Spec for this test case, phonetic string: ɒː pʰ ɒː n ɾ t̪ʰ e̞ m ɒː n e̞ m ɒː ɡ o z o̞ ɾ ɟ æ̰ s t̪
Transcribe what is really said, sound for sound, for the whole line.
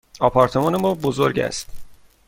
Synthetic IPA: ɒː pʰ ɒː ɾ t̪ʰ e̞ m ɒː n e̞ m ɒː b o z o̞ ɾ ɟ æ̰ s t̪